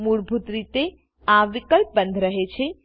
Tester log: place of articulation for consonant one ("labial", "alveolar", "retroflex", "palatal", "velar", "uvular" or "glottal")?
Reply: labial